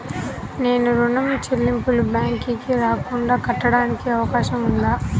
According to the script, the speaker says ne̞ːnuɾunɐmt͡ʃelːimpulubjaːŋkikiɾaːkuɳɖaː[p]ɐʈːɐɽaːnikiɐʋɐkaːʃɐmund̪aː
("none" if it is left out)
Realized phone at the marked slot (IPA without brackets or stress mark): k